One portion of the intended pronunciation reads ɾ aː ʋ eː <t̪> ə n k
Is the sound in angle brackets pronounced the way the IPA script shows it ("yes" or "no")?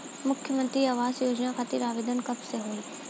no